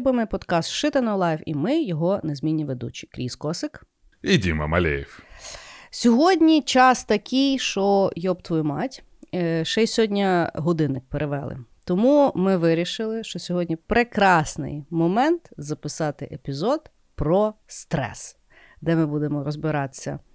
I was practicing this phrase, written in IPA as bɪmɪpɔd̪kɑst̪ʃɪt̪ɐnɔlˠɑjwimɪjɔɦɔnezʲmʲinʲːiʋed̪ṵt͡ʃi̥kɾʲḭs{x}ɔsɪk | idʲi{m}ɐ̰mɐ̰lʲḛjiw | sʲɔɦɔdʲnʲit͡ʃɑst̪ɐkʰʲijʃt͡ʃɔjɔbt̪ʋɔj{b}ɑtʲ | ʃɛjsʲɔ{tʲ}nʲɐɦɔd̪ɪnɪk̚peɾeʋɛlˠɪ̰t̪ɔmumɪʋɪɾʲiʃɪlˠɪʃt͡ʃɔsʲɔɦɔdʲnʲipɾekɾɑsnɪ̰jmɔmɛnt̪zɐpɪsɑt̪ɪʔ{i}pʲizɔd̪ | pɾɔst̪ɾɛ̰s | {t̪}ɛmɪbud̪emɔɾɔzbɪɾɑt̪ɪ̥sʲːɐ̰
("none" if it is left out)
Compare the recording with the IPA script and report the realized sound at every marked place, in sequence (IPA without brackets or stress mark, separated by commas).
k, m, m, dʲ, e, d̪